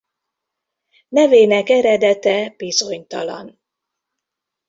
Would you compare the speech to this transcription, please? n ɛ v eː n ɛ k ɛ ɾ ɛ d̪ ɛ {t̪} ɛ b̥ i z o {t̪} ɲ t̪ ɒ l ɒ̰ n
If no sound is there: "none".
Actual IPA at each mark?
t̪, none

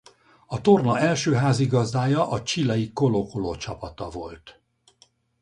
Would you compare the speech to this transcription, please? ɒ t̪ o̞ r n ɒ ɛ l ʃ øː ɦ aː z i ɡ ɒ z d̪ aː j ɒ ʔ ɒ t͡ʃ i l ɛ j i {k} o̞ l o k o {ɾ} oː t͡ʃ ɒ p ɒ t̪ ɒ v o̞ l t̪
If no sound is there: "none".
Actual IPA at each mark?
k, l

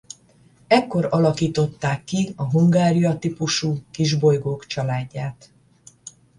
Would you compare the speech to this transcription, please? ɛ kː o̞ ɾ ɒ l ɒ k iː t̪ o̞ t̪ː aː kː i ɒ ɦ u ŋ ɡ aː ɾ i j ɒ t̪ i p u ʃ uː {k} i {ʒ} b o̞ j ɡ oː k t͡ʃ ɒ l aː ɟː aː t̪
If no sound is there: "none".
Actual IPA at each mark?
k, ʒ

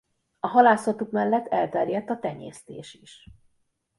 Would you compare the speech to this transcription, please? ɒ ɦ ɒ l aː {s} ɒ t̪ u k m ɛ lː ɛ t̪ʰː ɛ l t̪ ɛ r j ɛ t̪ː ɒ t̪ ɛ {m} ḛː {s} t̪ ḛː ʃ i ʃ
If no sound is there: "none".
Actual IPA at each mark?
s, ɲ, s

